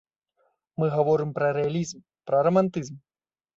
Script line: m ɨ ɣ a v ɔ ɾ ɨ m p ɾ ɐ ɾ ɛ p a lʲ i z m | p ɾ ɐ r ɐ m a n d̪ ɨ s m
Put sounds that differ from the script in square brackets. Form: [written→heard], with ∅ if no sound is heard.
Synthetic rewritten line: m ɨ ɣ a v ɔ ɾ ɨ m p ɾ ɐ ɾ ɛ [p→∅] a lʲ i z m | p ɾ ɐ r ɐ m a n [d̪→t̪] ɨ [s→z] m